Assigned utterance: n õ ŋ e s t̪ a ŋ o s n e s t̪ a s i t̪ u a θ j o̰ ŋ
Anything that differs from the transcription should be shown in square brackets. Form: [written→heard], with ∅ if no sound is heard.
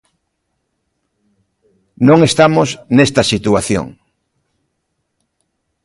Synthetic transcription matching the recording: n õ ŋ e s t̪ a [ŋ→m] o s n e s t̪ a s i t̪ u a θ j o̰ ŋ